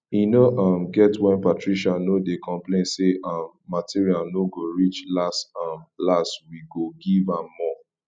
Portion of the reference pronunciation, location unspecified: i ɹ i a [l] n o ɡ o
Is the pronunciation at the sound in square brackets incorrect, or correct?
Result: correct